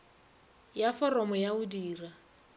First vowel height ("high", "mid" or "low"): low